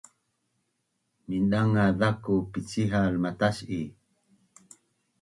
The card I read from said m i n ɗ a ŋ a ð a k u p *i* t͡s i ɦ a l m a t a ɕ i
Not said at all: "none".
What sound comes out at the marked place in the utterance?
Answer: i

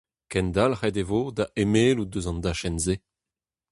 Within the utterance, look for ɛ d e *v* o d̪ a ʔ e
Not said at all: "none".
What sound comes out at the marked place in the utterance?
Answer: v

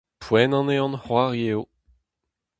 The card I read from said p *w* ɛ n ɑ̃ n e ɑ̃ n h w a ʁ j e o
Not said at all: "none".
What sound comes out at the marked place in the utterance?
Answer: w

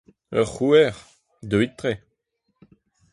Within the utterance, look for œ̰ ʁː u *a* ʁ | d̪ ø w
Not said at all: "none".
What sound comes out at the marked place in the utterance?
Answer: ɛ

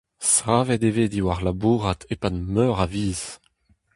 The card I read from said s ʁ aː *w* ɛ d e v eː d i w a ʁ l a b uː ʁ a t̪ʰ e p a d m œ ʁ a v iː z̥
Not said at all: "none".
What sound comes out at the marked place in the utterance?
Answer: v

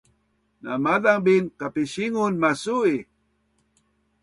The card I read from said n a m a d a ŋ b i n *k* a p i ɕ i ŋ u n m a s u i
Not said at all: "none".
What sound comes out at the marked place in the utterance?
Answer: k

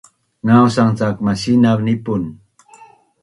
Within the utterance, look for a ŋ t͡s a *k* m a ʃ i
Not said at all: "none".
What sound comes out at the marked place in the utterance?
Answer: k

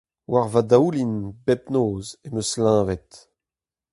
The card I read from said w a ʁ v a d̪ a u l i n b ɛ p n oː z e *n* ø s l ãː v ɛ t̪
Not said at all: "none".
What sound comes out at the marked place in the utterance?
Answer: m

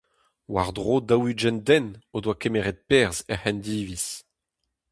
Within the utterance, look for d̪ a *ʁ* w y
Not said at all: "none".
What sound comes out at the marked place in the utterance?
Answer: none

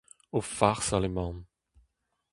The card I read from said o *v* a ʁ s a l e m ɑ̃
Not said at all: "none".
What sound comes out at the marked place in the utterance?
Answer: f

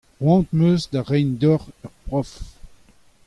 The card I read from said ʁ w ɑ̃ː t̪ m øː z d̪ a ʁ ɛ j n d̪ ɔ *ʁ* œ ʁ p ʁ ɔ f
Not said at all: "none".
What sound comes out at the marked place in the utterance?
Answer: ʁ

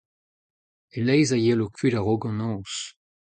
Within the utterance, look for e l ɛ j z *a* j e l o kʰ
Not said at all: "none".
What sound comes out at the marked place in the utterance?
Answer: a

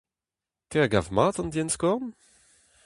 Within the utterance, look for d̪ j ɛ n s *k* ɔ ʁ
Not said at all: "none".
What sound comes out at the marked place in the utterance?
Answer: k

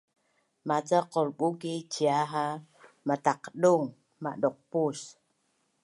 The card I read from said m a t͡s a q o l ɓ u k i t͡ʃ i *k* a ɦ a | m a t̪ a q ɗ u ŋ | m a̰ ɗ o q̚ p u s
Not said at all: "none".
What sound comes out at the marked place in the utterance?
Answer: none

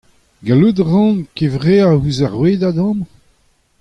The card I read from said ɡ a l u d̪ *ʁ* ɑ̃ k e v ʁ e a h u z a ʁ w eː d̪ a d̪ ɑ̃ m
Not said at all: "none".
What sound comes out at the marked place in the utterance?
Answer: ʁ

